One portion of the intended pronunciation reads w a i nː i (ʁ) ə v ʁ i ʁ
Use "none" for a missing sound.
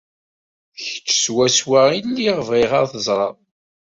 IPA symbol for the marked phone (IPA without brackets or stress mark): ʁ